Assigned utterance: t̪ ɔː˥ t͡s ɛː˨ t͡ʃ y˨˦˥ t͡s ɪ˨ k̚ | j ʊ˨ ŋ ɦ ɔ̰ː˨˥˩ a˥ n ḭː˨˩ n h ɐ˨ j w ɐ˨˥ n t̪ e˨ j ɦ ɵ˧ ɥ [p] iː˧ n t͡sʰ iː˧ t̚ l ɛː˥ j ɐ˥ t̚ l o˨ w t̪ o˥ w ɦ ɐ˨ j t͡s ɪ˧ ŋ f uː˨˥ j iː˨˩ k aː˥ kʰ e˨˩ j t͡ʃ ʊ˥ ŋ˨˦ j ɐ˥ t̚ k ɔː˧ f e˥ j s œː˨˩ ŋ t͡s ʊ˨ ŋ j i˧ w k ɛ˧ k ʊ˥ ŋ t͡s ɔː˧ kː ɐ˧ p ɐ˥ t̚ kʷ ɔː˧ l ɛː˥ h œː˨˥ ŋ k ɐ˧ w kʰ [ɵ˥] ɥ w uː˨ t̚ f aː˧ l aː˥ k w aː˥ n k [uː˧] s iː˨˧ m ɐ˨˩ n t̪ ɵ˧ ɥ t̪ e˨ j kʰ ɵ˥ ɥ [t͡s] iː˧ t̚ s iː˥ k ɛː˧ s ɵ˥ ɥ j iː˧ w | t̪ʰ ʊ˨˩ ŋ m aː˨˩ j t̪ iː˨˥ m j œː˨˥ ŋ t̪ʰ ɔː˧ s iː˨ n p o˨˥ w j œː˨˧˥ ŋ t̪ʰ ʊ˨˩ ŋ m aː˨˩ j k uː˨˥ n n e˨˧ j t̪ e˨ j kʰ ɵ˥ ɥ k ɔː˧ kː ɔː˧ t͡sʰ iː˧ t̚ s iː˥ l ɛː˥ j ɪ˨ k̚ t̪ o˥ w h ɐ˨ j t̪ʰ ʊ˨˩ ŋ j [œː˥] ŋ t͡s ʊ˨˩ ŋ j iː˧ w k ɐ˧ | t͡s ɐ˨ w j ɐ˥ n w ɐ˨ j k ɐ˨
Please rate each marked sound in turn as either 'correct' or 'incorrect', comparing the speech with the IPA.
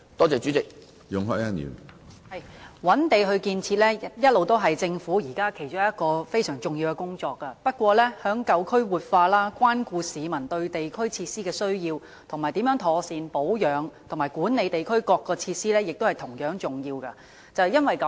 incorrect: k, correct, correct, incorrect: t͡sʰ, incorrect: œː˨˥

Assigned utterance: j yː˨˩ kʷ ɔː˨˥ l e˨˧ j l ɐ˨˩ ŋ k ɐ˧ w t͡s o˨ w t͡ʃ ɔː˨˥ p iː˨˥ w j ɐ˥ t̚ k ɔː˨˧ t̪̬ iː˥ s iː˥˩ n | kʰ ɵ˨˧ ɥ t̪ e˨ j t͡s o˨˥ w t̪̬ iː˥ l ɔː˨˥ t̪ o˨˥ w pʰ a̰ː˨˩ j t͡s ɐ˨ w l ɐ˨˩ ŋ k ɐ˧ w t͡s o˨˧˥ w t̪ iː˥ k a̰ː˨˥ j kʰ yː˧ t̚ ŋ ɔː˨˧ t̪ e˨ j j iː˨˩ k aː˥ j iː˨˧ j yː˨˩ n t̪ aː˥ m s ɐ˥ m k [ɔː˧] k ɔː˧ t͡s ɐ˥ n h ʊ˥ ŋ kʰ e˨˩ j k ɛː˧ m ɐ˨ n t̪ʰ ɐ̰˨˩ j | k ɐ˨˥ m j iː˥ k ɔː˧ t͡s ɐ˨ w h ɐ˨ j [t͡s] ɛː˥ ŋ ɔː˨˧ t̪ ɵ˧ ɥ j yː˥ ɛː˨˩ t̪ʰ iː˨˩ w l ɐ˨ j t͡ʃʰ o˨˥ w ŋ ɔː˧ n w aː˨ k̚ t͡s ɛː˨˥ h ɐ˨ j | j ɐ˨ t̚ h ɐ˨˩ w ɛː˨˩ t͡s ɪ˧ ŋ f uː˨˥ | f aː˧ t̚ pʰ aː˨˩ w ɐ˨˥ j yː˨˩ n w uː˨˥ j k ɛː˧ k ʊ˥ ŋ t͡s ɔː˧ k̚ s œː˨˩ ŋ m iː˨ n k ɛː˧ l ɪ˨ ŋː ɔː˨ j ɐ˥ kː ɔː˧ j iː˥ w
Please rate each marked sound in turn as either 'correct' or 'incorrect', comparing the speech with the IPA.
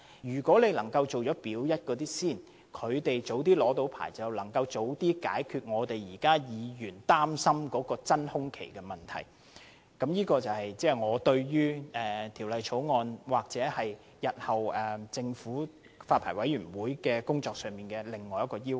incorrect: ɔː˨˥, correct

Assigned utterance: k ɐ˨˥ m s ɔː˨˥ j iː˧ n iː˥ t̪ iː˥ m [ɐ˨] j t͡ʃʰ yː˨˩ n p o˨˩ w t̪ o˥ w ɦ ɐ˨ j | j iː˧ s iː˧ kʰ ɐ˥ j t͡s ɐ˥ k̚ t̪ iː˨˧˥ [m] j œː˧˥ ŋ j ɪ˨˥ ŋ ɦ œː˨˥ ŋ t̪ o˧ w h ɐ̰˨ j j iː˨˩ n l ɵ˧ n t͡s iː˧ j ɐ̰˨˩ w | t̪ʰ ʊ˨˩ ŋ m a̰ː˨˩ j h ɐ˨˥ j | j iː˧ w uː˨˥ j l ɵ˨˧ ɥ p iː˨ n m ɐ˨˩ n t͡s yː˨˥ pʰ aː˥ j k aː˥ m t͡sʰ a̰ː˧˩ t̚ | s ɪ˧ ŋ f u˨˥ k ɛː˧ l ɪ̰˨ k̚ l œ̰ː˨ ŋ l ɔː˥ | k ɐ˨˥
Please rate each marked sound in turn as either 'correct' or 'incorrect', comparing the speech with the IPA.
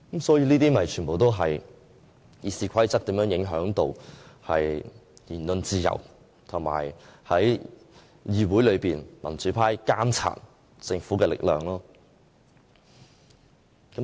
correct, correct

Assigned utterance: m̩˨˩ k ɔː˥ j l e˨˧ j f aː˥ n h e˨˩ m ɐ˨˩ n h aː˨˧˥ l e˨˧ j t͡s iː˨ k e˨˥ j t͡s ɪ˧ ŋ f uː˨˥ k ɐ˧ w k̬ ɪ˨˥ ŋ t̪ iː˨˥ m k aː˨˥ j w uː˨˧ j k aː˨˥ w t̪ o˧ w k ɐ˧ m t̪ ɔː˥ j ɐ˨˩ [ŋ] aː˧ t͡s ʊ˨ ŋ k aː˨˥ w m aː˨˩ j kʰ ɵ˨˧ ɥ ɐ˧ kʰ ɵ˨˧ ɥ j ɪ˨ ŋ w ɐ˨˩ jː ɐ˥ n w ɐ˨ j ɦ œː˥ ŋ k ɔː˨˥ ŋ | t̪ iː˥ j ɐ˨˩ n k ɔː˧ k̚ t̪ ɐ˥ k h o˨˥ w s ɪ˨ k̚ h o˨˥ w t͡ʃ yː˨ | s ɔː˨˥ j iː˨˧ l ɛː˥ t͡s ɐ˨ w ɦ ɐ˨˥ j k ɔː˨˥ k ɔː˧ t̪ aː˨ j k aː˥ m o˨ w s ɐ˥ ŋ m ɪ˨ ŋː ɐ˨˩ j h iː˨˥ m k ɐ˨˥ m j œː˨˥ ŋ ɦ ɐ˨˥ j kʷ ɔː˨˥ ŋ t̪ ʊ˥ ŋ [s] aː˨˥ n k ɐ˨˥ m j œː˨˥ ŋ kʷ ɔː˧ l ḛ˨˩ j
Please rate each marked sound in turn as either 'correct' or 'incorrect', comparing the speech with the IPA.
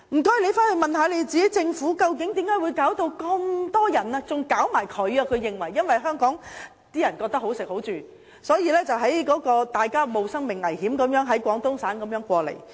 incorrect: n, correct

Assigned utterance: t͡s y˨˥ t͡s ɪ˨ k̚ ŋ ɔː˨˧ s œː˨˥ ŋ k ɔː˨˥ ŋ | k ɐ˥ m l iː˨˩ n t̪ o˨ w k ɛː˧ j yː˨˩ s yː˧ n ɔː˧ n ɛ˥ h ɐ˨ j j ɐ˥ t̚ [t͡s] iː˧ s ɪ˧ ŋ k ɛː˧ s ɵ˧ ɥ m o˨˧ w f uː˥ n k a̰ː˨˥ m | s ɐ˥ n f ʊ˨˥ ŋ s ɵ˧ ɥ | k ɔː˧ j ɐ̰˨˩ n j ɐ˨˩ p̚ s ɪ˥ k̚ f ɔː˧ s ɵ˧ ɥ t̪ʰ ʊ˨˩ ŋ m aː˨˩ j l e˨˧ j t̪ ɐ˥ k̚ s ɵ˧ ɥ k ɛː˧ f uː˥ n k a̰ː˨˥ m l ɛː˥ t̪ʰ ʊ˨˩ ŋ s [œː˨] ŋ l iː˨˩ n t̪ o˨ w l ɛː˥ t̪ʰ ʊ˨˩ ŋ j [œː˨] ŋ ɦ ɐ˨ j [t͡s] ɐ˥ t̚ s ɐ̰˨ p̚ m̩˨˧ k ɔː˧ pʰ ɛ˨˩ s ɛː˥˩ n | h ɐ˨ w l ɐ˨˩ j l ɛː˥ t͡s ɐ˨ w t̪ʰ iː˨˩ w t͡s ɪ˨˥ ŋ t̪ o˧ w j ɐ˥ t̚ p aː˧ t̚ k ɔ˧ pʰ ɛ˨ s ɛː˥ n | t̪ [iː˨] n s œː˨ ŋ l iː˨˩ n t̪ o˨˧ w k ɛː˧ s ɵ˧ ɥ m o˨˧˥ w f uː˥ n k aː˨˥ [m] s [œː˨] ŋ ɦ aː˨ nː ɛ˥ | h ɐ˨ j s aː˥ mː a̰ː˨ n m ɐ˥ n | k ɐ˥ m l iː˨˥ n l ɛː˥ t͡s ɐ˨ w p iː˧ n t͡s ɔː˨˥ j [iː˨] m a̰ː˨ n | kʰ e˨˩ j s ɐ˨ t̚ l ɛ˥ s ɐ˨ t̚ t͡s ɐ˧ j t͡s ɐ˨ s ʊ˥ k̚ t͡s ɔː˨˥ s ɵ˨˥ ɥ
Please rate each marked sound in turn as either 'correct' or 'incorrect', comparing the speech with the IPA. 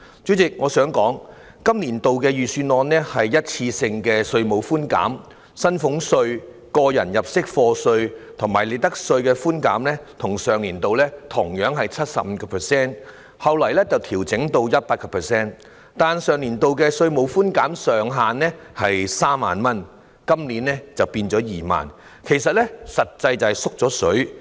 incorrect: t͡sʰ, correct, incorrect: œː˨˥, incorrect: t͡sʰ, incorrect: aː˨, correct, correct, correct

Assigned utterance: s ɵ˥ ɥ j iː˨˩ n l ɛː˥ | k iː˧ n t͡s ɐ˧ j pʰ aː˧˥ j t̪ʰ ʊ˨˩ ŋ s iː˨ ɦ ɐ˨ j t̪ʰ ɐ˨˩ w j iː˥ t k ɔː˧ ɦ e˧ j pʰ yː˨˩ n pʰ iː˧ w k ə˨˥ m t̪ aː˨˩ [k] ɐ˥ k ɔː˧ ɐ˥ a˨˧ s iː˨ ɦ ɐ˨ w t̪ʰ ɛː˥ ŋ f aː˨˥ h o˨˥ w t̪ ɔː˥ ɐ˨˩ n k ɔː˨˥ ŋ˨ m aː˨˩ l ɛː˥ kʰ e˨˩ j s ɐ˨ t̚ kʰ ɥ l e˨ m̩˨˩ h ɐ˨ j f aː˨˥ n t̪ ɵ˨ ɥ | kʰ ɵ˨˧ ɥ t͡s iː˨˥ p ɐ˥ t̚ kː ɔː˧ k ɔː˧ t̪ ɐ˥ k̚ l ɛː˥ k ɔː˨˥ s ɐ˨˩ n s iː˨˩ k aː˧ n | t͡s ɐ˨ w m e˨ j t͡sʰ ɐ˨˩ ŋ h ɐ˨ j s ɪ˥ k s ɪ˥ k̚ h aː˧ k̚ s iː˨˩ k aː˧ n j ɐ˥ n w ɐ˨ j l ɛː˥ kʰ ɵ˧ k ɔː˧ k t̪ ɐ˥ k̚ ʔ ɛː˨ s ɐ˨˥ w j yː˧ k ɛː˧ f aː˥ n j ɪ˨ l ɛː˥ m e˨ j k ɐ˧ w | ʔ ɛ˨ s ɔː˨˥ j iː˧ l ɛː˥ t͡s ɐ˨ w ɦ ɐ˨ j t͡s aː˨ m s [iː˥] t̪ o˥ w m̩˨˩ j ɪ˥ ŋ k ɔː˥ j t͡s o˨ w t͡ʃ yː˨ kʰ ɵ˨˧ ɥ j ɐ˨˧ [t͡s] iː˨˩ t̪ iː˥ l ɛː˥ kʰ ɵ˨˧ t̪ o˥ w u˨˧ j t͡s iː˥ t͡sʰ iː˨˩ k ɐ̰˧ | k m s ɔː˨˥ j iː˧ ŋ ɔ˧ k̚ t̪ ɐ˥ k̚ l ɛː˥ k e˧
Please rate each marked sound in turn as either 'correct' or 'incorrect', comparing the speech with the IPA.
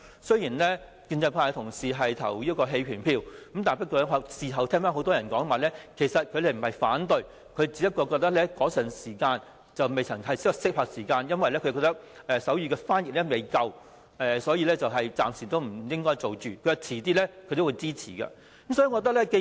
incorrect: p, incorrect: iː˨˩, incorrect: t͡sʰ

